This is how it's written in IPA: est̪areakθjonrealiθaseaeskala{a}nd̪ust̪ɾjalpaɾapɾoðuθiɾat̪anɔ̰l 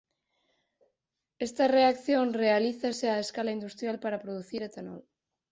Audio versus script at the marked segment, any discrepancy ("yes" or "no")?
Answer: yes